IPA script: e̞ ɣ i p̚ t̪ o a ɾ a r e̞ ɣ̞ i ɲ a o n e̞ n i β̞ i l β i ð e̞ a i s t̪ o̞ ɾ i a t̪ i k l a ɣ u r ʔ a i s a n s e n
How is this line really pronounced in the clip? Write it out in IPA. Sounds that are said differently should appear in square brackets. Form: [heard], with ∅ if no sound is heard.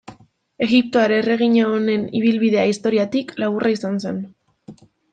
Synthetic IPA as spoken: e̞ ɣ i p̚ t̪ o a ɾ [e] r e̞ ɣ̞ i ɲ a o n e̞ n i β̞ i l β i ð e̞ a i s t̪ o̞ ɾ i a t̪ i k l a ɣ u r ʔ a i s a n s e n